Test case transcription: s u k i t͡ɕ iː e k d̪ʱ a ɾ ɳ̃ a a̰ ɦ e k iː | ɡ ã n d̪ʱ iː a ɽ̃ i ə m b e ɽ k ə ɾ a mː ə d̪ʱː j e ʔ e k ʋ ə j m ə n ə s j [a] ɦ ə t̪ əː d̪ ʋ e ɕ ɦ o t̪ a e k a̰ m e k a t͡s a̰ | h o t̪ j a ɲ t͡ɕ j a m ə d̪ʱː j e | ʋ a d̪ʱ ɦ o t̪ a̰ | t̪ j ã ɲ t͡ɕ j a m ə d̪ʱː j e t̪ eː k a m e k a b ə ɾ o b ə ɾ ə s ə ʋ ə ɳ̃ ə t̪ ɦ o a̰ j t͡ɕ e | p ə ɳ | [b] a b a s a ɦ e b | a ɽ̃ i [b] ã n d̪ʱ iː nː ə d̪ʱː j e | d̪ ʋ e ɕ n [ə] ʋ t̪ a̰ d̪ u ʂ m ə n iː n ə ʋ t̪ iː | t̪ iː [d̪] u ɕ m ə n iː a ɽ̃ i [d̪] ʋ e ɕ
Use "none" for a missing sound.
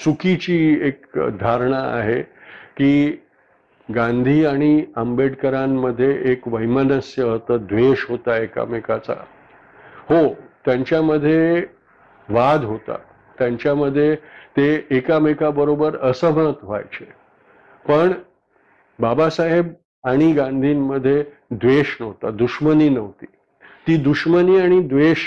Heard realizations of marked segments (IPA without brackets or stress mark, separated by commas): ə, b, ɡ, ə, d̪, d̪